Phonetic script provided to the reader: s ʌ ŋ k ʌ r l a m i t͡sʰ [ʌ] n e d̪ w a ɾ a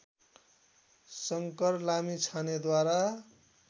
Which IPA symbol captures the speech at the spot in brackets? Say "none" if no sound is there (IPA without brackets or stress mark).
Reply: a